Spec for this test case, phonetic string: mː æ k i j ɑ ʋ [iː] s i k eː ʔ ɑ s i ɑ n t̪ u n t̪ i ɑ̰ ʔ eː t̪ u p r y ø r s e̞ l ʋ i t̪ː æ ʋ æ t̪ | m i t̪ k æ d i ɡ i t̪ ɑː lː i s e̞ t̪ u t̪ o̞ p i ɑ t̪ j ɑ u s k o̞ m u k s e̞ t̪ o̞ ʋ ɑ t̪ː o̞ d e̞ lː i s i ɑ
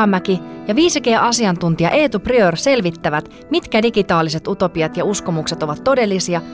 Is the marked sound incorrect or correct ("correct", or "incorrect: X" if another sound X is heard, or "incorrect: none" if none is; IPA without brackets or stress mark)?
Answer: correct